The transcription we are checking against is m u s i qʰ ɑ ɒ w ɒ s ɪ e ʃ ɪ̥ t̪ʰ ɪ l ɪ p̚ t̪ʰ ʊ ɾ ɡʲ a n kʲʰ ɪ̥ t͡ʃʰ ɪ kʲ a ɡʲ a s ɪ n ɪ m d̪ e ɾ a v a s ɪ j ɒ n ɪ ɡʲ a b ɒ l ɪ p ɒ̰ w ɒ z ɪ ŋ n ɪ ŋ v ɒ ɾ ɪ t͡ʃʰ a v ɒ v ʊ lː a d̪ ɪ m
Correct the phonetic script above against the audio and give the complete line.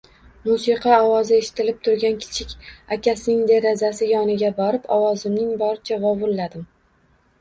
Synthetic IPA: m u s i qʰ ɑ ɒ w ɒ z ɪ e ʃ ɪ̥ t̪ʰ ɪ l ɪ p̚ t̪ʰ ʊ ɾ ɡʲ a n kʲʰ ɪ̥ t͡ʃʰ ɪ kʲ a kʲ a s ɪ n ɪ ŋ d̪ e ɾ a z a s ɪ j ɒ n ɪ ɡʲ a b ɒ ɾ ɪ p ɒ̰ w ɒ z ɪ m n ɪ ŋ b ɒ ɾ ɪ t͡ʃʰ a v ɒ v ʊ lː a d̪ ɪ m